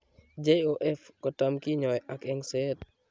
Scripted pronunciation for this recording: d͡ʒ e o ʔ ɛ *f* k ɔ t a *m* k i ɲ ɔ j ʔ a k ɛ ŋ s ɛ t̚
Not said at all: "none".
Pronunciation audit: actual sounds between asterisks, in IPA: f, m

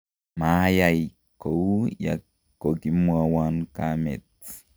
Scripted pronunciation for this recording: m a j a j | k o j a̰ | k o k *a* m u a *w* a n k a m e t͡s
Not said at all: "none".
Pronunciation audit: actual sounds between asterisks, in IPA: i, w

